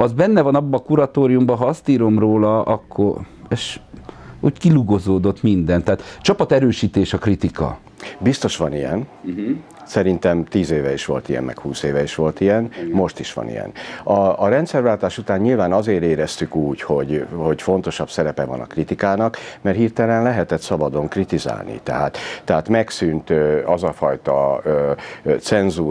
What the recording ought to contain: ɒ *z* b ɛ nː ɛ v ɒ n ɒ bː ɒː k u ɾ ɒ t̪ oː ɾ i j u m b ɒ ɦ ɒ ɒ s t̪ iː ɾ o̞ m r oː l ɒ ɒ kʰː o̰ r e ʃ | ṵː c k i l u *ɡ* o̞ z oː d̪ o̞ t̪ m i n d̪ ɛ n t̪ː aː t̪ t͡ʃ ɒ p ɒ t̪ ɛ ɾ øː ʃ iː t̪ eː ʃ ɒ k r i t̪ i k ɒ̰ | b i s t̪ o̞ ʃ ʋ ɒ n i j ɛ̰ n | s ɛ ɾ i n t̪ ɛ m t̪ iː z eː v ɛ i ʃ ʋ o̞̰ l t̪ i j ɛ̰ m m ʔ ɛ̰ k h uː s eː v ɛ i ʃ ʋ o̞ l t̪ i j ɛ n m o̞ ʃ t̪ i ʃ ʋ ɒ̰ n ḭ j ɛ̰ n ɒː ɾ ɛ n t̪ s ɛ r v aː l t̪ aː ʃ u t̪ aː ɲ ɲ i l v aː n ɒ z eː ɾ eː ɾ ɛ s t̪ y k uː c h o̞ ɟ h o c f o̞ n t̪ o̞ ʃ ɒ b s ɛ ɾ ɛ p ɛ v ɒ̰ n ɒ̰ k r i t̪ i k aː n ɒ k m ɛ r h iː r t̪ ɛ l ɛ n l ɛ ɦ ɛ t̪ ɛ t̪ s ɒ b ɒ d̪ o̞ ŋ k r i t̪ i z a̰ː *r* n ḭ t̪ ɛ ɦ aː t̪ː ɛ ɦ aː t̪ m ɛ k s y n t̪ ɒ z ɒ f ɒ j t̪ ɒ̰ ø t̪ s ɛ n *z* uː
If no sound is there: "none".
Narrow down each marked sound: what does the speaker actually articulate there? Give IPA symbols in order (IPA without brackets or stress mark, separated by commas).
z, ɡ, l, z